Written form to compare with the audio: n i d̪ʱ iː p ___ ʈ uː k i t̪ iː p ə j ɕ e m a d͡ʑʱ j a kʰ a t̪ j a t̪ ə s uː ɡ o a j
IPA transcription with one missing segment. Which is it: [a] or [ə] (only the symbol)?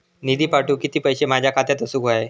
a